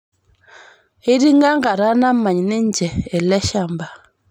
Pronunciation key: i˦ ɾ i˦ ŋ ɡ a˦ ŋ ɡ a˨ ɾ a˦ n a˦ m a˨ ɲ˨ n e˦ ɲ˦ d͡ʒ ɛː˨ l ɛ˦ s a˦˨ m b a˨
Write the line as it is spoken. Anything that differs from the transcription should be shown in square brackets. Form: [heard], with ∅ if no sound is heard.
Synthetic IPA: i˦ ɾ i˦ ŋ ɡ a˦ ŋ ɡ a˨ ɾ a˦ n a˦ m a˨ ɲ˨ n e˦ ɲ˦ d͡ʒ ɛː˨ l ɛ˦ [ʃ] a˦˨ m b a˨